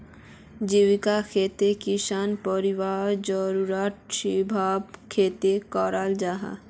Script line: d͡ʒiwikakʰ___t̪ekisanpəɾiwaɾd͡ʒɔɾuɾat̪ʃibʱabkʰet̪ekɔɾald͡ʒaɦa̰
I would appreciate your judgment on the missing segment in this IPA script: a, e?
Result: e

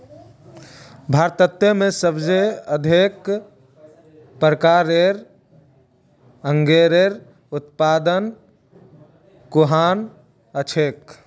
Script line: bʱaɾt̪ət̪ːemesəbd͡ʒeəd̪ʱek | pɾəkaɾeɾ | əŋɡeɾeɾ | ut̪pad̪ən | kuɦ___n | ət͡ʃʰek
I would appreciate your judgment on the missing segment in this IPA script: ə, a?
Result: a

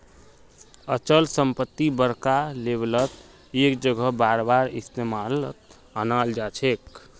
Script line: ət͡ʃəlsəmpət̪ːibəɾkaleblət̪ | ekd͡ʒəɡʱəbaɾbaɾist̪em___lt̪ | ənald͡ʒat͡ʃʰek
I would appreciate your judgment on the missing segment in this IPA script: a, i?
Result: a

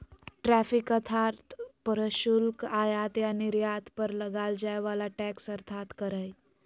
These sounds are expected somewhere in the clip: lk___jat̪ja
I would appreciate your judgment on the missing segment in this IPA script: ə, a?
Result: a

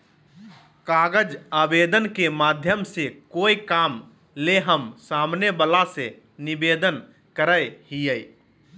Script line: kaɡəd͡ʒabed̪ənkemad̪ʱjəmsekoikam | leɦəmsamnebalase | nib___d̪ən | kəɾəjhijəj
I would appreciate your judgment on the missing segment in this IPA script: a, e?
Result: e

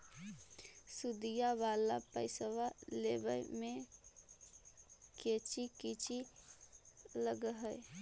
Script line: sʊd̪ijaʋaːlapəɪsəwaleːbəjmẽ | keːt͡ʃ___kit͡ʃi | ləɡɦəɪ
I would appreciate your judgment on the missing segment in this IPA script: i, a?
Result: i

